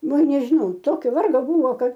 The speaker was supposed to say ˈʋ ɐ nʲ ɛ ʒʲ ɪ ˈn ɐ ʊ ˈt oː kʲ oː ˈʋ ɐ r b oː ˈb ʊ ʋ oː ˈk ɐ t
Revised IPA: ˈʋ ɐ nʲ ɛ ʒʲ ɪ ˈn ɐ ʊ ˈt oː kʲ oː ˈʋ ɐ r ɡ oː ˈb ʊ ʋ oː ˈk ɐ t